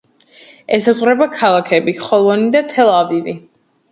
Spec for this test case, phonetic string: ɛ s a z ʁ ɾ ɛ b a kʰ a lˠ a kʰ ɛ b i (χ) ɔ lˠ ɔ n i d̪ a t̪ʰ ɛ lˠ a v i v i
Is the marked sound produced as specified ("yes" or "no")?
yes